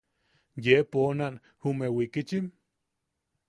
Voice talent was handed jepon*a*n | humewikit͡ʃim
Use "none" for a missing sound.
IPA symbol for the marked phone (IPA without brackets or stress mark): a